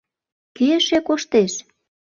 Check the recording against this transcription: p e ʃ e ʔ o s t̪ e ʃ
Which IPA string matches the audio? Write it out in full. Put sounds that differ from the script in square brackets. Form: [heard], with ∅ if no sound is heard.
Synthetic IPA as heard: [k] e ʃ e [k] o [ʃ] t̪ e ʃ